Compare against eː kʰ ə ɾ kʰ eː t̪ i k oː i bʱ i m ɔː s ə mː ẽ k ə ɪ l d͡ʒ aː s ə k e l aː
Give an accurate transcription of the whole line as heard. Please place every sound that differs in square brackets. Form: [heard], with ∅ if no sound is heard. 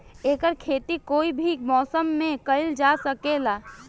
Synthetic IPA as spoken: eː [k] ə ɾ kʰ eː t̪ i k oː i bʱ i m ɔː s ə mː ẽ k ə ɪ l d͡ʒ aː s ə k e l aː